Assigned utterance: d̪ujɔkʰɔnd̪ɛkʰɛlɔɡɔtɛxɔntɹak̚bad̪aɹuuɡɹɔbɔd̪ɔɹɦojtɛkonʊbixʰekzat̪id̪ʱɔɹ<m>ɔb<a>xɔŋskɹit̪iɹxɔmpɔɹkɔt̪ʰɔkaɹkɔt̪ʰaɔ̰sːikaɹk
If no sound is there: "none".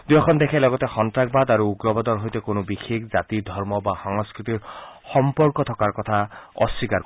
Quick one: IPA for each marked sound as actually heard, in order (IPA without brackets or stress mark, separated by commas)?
m, a